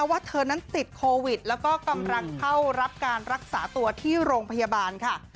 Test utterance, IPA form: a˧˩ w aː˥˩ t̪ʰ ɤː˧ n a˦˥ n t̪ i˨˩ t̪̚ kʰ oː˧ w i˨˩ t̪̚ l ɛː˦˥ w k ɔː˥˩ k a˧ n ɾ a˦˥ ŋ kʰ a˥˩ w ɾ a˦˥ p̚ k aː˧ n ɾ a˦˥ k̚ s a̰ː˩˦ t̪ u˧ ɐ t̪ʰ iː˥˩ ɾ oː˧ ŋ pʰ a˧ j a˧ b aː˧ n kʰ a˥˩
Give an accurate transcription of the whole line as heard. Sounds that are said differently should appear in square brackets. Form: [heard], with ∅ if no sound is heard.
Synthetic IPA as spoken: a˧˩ w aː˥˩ t̪ʰ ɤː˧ n a˦˥ n t̪ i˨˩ t̪̚ kʰ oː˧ w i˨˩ t̪̚ l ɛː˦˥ w k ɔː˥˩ k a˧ [m] ɾ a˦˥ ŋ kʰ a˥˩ w ɾ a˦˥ p̚ k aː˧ n ɾ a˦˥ k̚ s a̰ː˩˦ t̪ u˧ ɐ t̪ʰ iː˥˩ ɾ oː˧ ŋ pʰ a˧ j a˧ b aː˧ n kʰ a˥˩